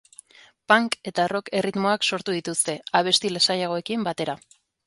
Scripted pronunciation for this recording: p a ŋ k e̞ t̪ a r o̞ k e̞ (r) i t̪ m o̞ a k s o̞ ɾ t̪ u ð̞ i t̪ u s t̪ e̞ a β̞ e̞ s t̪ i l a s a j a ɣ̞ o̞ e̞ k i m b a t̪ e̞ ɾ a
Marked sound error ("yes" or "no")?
no